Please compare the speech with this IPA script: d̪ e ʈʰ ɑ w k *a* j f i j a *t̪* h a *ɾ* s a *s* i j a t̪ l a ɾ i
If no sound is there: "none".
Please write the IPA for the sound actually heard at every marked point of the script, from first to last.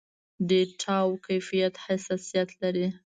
a, t̪, none, s

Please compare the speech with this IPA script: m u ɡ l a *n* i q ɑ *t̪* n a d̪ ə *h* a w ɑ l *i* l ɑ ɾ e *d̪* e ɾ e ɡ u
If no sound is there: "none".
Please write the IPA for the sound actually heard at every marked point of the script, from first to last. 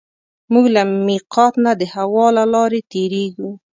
m, t̪, h, a, t̪

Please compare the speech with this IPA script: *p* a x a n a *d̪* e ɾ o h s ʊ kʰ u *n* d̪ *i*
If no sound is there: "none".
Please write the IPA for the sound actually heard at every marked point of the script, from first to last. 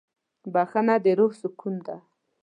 b, d̪, n, a

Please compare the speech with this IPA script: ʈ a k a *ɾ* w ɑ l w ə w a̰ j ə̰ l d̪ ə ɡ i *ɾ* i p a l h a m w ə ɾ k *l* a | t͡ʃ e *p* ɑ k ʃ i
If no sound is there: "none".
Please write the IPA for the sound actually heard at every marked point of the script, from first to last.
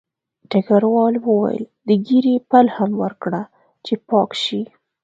ɾ, ɾ, ɽ, p

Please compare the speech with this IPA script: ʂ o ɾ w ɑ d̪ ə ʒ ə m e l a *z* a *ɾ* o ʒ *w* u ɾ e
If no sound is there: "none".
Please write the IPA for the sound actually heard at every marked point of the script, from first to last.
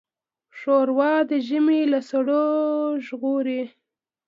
s, ɽ, ɣ

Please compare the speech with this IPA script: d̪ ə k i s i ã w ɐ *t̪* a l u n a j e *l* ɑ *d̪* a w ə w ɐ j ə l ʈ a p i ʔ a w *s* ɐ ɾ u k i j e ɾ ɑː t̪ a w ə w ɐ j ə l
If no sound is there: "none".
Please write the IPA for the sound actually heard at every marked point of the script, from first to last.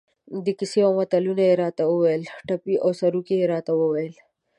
t̪, ɾ, t̪, s

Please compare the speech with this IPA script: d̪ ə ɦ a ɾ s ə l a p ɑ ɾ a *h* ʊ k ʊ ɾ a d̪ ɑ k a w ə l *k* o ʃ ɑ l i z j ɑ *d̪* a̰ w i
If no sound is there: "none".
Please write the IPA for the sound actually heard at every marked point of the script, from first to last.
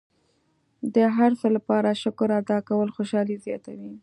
ʃ, x, t̪

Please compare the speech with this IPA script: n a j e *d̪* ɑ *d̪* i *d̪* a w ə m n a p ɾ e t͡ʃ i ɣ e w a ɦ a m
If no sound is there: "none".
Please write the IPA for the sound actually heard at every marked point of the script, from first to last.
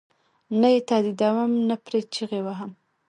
t̪, d̪, d̪

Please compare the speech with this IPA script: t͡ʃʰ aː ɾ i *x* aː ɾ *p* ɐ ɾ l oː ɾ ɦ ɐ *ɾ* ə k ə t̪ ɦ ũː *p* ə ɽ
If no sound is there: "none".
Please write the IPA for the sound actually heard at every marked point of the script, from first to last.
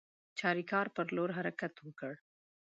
k, p, ɾ, k

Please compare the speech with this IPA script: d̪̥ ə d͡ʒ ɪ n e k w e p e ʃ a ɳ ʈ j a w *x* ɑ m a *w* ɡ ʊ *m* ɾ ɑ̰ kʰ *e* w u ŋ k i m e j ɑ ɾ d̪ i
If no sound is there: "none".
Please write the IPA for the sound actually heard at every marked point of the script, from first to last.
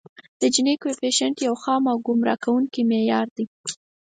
x, w, m, a

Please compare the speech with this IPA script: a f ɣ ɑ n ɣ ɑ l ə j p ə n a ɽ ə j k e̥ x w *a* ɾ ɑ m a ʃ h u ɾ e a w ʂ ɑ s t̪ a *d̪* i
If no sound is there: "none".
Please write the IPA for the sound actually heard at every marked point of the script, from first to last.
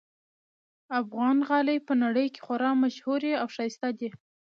a, d̪

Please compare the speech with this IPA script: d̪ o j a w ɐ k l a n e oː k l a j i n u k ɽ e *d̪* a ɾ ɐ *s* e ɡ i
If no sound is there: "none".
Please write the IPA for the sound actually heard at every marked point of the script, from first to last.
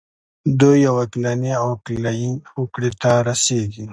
t̪, s

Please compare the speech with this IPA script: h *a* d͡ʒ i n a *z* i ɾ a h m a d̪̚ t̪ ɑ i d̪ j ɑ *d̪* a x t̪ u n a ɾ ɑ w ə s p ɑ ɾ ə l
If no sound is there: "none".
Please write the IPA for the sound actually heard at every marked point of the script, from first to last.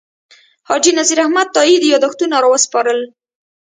ɑ, z, d̪

